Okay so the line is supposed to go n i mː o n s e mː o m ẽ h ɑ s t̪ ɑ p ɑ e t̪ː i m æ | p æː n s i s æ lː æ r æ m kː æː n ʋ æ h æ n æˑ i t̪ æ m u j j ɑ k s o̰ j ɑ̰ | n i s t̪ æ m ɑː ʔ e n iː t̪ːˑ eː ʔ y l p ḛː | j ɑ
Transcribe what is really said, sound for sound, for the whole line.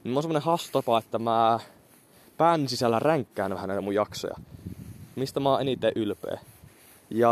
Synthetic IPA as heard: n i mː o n s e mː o n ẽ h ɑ s t̪ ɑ p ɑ e t̪ː æ m æ | p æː n s i s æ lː æ r æ ŋ kː æː n ʋ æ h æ n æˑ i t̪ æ m u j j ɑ k s o̰ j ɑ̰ | m i s t̪ æ m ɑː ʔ e n i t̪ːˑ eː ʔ y l p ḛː | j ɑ